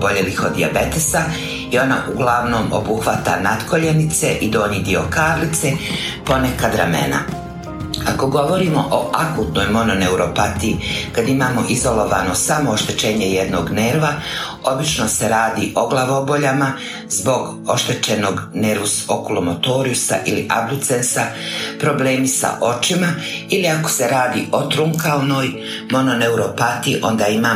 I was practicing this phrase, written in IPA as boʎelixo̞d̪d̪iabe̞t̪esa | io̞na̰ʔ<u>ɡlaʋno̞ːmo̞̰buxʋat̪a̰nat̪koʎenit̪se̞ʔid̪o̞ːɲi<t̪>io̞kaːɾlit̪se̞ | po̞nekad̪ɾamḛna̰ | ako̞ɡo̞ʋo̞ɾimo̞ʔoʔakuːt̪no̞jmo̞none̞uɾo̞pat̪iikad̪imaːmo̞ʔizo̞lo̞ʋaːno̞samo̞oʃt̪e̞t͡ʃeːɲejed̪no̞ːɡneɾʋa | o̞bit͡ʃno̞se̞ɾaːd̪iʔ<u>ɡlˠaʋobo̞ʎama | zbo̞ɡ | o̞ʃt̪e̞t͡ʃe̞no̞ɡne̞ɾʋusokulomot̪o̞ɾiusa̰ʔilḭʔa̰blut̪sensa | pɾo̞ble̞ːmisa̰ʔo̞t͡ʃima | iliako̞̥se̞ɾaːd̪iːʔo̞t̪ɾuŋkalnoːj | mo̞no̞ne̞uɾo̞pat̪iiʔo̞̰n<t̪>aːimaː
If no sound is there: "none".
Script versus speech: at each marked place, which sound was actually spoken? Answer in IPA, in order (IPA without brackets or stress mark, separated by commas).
u, d̪, o, d̪